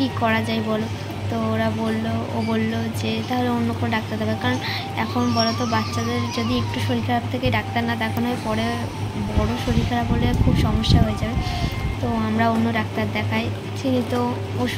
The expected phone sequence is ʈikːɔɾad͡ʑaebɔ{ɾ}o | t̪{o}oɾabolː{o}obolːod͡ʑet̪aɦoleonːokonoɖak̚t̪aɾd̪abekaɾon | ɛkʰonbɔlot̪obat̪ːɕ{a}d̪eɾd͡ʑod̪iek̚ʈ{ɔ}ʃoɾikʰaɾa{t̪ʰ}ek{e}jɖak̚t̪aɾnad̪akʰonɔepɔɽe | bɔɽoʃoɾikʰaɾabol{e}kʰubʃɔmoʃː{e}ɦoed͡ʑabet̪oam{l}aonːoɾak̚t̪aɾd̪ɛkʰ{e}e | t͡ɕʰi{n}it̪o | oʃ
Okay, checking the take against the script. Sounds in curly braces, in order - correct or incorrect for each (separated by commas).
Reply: incorrect, correct, correct, correct, incorrect, correct, correct, correct, incorrect, incorrect, incorrect, correct